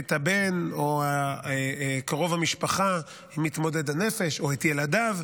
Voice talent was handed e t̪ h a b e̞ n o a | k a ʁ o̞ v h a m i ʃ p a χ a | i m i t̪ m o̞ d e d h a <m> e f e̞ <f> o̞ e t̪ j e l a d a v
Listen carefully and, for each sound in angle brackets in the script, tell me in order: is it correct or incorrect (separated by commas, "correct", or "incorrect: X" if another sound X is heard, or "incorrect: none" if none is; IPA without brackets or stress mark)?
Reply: incorrect: n, incorrect: ʃ